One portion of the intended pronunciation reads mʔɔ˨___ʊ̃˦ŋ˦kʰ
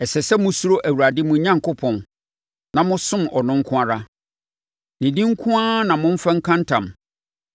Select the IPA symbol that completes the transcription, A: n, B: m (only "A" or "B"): A